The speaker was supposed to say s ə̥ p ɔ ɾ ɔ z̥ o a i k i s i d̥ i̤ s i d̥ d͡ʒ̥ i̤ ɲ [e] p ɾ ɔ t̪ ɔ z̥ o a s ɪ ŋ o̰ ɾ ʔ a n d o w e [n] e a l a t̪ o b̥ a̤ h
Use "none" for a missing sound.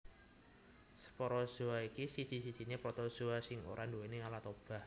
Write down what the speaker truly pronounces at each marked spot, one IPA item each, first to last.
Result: e, n

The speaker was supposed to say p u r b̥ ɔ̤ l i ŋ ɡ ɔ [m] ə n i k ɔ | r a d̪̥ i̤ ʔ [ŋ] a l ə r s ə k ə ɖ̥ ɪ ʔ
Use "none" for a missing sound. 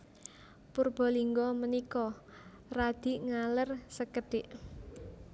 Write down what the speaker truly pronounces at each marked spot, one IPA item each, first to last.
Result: m, ŋ

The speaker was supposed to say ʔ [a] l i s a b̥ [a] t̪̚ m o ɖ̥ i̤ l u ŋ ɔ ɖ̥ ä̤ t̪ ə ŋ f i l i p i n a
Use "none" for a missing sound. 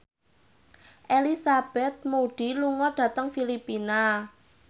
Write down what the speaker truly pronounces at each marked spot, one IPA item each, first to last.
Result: e, ɛ

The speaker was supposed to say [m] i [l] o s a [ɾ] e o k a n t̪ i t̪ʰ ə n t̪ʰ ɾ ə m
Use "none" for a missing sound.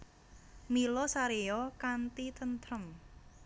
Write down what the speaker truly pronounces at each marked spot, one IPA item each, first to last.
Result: m, l, ɾ

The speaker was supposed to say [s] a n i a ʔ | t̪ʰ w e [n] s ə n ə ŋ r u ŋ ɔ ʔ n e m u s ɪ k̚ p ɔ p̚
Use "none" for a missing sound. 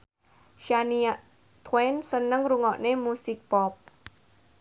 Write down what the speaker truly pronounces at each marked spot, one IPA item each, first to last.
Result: ʃ, n

